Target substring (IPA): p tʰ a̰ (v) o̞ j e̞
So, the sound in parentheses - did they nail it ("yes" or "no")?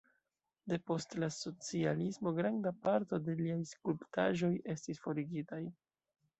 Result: no